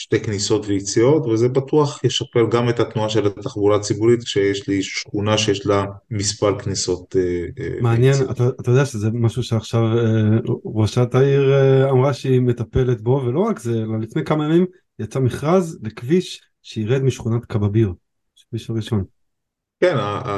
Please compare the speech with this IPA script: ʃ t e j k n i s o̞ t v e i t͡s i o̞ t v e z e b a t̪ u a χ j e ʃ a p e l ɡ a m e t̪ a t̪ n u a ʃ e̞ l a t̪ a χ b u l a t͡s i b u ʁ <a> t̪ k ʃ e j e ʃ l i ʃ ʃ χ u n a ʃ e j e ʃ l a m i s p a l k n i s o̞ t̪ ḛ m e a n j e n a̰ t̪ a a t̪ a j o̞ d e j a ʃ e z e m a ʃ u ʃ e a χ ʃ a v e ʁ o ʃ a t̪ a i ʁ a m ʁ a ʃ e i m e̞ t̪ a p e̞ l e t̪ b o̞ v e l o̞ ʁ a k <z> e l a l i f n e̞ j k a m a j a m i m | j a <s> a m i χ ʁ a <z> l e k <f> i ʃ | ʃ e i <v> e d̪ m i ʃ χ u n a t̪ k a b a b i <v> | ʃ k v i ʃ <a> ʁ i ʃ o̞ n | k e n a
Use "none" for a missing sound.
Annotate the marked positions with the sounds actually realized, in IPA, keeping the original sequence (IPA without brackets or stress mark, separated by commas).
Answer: i, z, t͡s, z, v, ʁ, ʁ, a